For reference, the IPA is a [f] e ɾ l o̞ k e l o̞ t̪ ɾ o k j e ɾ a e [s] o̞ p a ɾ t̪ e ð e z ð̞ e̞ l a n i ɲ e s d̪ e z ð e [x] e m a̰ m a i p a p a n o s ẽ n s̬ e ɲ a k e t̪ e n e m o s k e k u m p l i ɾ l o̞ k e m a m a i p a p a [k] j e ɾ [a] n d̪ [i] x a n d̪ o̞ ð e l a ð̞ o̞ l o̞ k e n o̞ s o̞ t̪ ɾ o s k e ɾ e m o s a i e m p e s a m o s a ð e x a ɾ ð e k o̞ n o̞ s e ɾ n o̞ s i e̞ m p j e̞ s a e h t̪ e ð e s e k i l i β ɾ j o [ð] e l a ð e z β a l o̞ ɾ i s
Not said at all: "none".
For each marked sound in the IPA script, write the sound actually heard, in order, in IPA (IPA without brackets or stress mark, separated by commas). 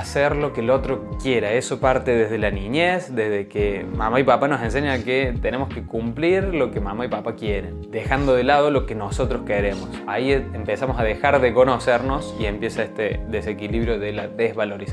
s, s, k, k, e, e, ð